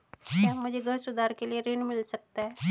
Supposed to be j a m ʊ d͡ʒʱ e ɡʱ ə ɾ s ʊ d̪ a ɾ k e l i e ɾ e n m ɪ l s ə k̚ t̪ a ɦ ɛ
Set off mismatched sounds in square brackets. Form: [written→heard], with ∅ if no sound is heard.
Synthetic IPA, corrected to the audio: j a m ʊ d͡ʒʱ e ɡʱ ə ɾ s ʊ d̪ a ɾ k e l i e ɾ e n m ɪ l s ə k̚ t̪ a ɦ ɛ